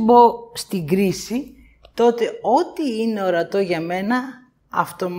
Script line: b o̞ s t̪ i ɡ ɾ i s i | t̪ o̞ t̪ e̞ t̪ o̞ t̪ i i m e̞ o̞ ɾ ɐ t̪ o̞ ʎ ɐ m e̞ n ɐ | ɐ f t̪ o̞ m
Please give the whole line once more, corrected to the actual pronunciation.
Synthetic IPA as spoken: b o̞ s t̪ i ɡ ɾ i s i | t̪ o̞ t̪ e̞ o̞ t̪ i i n e̞ o̞ ɾ ɐ t̪ o̞ ʝ ɐ m e̞ n ɐ | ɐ f t̪ o̞ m